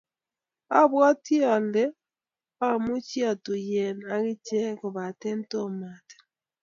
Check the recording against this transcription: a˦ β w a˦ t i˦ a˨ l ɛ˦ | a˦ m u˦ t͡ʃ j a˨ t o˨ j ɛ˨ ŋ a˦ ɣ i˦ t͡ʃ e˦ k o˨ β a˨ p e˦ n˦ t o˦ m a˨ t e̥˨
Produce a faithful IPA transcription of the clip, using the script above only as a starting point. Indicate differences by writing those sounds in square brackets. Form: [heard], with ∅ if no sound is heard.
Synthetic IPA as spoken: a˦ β w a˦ t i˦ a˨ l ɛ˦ | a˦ m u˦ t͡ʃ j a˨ t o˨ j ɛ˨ [n] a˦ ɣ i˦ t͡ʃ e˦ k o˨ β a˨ [t] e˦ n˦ t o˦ m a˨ t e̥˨